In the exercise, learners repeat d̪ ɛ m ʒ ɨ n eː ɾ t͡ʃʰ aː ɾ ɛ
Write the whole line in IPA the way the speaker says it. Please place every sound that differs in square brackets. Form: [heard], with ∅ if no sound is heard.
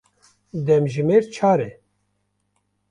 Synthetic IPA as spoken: d̪ ɛ m ʒ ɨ [m] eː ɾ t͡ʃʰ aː ɾ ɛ